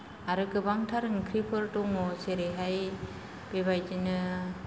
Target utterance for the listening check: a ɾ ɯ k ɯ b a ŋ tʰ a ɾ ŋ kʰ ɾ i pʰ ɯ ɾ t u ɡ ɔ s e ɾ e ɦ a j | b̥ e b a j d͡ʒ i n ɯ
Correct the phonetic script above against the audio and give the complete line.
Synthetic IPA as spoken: a ɾ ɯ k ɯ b a ŋ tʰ a ɾ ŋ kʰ ɾ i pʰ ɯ ɾ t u ŋ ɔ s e ɾ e ɦ a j | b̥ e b a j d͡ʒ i n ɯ